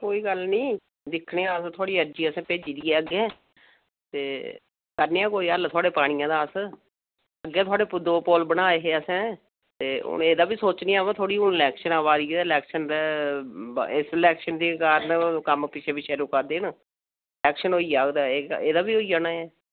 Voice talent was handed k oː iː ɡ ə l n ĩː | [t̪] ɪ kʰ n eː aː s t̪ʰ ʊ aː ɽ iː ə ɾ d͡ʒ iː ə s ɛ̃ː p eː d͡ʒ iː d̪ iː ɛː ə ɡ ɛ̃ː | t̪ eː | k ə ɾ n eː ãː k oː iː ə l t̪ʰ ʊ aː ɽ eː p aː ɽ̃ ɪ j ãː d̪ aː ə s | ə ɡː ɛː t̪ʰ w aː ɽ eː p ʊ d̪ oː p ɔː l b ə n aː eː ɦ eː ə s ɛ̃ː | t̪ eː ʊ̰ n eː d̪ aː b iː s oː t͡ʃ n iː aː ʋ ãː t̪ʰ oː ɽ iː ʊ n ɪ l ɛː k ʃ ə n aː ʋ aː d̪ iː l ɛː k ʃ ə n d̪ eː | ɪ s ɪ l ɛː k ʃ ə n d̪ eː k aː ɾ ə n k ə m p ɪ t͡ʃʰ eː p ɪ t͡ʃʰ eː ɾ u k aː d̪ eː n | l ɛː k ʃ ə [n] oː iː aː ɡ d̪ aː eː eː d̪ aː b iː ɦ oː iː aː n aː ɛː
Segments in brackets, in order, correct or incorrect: incorrect: d̪, correct

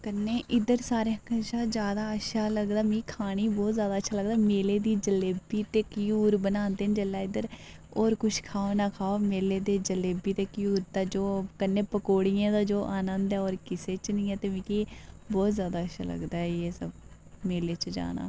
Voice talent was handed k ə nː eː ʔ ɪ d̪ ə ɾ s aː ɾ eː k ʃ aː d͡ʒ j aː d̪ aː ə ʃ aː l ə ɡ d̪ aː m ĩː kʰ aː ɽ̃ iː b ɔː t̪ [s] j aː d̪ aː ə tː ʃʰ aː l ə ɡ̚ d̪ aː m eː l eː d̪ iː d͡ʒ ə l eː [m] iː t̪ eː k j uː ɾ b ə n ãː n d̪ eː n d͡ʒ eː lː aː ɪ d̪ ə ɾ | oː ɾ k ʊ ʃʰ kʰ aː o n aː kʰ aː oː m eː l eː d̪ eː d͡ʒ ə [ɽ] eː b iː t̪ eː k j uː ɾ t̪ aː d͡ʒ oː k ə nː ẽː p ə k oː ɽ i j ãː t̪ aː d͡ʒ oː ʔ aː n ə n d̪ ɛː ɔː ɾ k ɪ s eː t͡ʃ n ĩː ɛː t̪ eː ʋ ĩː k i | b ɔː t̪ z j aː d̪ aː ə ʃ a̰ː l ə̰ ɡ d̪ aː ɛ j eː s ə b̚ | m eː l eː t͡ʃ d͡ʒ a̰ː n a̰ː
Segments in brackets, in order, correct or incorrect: incorrect: z, incorrect: b, incorrect: l

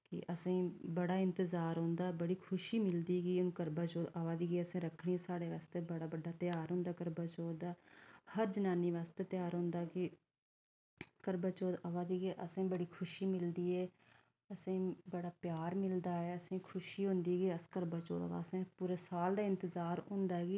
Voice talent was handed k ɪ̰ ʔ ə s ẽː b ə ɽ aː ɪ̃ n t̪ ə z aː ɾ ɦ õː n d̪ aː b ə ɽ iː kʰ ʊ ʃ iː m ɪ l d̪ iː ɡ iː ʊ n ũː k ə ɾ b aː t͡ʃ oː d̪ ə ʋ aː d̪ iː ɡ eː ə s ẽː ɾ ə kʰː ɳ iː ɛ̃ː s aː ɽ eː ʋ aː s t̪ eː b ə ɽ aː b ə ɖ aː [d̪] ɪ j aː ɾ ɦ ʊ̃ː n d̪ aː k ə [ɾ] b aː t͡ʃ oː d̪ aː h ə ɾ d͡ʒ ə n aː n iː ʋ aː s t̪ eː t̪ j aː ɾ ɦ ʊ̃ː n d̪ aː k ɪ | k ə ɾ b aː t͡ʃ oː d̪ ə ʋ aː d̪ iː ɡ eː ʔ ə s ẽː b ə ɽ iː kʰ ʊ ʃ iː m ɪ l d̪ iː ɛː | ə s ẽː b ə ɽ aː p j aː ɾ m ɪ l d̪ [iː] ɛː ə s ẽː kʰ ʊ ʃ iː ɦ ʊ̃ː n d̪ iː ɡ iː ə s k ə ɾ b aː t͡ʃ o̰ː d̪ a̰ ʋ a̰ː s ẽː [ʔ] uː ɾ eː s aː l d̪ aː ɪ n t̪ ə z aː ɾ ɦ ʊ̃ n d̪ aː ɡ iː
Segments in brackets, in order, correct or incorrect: incorrect: t̪, correct, incorrect: aː, incorrect: p

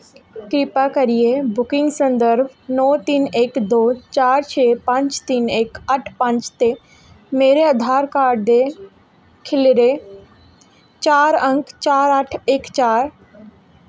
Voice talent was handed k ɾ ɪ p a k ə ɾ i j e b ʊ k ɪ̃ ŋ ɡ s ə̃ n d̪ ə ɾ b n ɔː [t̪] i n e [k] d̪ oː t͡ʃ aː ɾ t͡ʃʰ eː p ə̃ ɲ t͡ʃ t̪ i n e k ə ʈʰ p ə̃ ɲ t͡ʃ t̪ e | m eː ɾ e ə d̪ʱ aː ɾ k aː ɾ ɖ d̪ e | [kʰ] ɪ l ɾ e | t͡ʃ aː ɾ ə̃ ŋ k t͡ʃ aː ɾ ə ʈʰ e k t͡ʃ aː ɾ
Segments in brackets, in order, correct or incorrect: correct, correct, correct

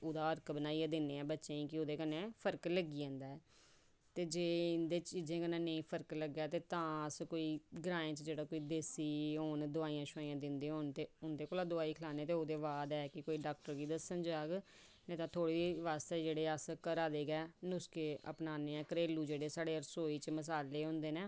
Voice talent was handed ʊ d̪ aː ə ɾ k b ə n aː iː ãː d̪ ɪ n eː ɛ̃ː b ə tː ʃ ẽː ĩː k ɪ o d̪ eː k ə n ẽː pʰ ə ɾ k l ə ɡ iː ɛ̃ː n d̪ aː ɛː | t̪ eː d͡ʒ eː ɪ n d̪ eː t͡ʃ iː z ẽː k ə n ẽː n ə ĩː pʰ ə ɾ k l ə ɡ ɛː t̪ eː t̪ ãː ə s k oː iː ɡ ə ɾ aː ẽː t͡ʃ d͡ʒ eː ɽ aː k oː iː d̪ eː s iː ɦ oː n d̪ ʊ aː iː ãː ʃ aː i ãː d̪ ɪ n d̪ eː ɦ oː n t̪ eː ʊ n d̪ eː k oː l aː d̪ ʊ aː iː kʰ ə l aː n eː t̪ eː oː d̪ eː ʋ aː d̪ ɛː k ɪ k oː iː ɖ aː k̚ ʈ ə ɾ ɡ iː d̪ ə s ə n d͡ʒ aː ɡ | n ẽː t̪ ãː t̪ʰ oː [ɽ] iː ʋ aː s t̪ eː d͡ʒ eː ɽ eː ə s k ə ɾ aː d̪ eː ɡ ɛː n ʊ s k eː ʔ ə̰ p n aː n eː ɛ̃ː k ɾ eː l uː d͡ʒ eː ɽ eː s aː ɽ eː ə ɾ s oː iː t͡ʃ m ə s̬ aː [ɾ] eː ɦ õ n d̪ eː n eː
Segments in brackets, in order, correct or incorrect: correct, incorrect: l

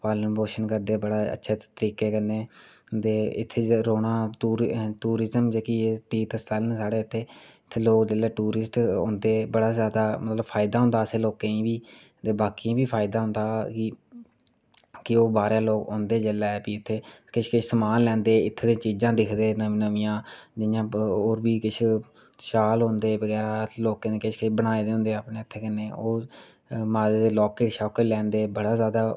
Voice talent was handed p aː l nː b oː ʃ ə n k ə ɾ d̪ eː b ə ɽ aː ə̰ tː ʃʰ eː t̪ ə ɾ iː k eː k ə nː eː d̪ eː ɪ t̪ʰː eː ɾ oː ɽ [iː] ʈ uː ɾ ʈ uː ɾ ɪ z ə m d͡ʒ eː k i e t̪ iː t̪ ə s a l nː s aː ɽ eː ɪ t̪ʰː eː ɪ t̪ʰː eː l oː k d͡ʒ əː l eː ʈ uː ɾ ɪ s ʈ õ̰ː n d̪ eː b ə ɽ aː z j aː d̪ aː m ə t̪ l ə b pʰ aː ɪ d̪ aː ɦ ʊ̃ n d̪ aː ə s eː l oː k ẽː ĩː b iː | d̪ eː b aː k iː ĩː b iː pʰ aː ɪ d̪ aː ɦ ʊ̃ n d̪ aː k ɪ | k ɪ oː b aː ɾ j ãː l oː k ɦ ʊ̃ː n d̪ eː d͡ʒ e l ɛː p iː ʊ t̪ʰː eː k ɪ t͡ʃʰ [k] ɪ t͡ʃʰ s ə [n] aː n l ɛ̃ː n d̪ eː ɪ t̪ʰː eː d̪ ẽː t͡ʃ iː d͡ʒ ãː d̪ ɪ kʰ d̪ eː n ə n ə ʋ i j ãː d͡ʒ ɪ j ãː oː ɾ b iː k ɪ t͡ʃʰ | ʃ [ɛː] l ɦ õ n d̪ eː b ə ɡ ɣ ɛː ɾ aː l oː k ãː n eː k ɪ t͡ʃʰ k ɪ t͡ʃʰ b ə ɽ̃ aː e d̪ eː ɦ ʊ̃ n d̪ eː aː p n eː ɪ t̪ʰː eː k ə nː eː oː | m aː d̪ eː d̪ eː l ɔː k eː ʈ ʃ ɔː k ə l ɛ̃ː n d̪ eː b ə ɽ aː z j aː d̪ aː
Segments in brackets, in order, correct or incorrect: incorrect: aː, correct, incorrect: m, incorrect: aː

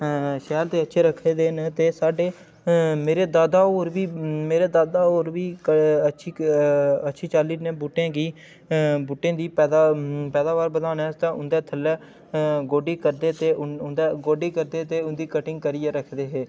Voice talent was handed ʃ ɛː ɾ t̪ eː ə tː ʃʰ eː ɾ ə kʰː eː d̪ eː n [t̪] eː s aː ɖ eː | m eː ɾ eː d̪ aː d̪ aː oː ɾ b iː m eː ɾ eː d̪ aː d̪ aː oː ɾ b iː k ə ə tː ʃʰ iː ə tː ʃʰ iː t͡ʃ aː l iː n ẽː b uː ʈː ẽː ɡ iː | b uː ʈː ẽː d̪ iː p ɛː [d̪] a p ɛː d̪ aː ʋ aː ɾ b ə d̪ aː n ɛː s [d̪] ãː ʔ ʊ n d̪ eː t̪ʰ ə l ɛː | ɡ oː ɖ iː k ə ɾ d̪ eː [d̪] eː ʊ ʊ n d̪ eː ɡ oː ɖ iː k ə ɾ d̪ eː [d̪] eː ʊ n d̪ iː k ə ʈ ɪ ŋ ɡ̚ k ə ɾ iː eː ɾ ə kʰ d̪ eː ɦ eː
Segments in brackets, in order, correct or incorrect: correct, correct, incorrect: t̪, incorrect: t̪, incorrect: t̪

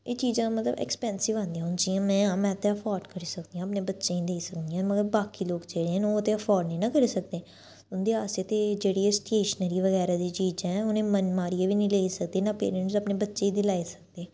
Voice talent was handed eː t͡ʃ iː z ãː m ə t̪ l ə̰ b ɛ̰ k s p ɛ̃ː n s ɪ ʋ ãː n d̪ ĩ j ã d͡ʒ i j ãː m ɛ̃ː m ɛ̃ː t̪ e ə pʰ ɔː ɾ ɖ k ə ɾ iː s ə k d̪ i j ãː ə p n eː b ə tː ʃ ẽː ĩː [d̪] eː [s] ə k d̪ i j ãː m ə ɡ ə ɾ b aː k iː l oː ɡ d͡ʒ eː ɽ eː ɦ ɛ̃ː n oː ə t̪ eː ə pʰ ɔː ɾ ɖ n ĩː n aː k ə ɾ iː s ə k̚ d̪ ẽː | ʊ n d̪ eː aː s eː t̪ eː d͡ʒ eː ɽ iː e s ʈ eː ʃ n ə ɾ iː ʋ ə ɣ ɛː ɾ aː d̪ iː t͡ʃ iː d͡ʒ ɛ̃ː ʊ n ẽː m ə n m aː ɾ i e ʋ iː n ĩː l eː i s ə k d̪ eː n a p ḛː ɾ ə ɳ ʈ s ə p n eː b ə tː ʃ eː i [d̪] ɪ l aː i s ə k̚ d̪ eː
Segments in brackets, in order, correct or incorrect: correct, correct, correct

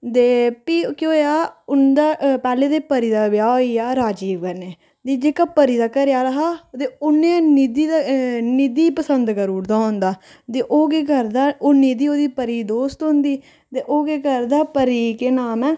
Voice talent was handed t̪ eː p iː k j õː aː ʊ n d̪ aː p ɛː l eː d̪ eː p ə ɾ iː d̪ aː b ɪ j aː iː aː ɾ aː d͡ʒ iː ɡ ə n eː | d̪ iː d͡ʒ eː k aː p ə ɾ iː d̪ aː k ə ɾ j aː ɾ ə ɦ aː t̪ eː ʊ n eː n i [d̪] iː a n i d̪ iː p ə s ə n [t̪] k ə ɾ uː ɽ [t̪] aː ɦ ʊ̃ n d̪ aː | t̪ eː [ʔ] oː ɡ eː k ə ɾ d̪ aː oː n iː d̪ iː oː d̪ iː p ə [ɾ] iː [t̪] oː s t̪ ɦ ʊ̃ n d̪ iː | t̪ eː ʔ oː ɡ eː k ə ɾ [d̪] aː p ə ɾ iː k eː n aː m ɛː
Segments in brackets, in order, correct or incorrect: correct, incorrect: d̪, incorrect: d̪, correct, correct, incorrect: d̪, correct

